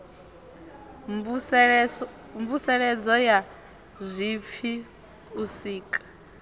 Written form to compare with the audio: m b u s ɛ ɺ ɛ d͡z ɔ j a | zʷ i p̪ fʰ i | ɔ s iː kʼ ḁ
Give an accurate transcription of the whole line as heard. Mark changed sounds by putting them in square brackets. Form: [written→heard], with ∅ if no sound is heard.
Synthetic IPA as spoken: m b u s ɛ ɺ ɛ d͡z ɔ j a | zʷ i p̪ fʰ i | [ɔ→u] s iː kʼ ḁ